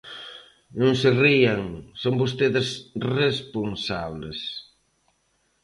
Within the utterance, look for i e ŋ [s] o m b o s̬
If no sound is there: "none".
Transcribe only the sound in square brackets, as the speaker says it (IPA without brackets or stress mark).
s